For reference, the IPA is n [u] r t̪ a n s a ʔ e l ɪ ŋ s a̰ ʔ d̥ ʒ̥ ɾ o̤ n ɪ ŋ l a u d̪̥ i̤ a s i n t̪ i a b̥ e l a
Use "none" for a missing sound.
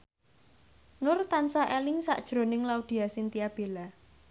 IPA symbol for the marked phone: ʊ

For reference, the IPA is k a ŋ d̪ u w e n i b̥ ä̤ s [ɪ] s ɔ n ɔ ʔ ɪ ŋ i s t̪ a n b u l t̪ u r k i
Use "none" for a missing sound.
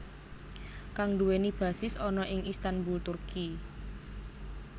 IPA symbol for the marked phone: ɪ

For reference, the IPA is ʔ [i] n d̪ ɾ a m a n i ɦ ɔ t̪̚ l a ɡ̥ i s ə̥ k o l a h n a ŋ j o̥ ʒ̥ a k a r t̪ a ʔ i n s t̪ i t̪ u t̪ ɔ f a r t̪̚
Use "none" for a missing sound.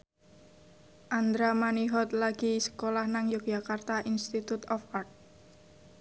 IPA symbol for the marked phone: a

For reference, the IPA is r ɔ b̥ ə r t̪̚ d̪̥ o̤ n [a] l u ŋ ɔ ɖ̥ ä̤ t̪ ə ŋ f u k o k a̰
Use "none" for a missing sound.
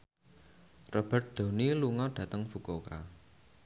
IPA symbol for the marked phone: i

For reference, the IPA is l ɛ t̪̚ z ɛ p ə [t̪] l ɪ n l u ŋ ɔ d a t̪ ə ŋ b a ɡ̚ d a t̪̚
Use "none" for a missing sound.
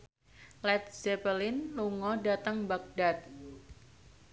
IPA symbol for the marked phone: none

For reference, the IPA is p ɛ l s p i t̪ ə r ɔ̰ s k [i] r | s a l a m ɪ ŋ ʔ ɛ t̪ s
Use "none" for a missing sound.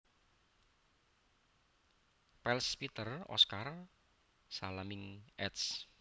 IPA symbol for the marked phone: a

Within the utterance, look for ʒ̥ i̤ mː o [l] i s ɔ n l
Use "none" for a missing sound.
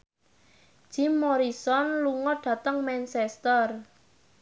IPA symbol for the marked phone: ɾ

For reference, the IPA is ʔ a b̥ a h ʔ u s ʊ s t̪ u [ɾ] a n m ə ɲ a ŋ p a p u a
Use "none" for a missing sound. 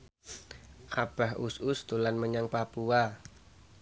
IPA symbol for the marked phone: l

